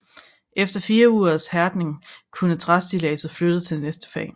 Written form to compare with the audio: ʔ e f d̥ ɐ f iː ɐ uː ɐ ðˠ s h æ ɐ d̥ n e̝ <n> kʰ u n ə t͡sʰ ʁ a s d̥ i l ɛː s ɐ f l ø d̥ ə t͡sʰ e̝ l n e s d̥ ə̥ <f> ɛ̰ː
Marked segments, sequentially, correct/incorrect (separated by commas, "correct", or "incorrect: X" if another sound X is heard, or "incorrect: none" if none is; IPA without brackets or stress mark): incorrect: ŋ, correct